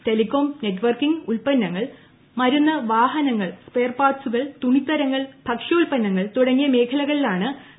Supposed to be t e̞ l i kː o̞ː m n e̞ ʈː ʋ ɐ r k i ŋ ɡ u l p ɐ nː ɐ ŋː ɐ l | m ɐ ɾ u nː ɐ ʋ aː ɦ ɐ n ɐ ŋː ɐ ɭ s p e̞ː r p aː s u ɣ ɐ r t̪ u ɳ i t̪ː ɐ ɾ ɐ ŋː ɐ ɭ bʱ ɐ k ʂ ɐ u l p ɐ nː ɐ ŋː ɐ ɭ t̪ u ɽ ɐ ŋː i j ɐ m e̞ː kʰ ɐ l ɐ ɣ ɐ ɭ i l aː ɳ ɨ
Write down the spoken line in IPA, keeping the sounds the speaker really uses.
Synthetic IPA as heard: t e̞ l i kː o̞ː m n e̞ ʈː ʋ ɐ r k i ŋ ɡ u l p ɐ nː ɐ ŋː ɐ ɭ | m ɐ ɾ u nː ɐ ʋ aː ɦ ɐ n ɐ ŋː ɐ ɭ s p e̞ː r p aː s u ɣ ɐ ɭ t̪ u ɳ i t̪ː ɐ ɾ ɐ ŋː ɐ ɭ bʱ ɐ k ʂ ɐ u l p ɐ nː ɐ ŋː ɐ ɭ t̪ u ɽ ɐ ŋː i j ɐ m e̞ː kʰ ɐ l ɐ ɣ ɐ ɭ i l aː ɳ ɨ